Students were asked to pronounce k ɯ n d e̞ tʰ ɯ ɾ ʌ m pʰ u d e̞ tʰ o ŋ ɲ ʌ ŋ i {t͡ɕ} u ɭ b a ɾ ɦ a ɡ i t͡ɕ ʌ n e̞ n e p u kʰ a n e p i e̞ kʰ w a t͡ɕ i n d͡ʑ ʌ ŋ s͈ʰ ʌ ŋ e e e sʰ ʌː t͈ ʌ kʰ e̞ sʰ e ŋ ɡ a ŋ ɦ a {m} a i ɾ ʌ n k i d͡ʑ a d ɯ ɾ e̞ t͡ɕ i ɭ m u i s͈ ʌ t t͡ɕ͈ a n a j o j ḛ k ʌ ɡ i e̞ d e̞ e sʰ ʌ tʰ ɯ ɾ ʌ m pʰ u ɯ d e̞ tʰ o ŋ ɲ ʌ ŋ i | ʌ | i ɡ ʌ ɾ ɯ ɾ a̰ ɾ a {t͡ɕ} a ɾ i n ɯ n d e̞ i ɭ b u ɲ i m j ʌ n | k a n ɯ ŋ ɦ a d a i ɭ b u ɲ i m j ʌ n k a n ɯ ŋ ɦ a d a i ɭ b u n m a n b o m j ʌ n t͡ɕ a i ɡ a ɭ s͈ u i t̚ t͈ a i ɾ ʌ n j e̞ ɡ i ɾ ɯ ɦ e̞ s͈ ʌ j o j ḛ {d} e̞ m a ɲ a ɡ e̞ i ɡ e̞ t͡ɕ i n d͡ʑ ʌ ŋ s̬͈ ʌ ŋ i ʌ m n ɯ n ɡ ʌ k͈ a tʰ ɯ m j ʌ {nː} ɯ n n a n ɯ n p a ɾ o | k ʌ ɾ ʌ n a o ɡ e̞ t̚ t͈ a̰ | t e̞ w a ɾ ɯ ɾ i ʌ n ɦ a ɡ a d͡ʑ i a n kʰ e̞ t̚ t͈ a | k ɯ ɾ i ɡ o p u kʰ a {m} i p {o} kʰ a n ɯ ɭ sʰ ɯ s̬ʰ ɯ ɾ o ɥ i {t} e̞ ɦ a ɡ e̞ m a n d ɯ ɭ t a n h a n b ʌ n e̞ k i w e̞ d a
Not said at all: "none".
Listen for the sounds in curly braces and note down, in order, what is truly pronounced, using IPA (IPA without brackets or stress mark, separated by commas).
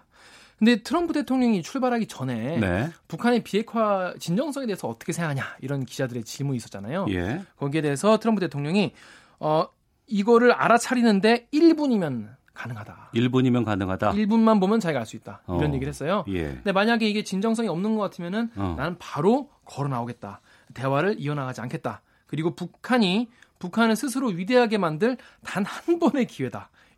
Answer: t͡ɕʰ, ɲ, t͡ɕʰ, d, n, ɲ, u, d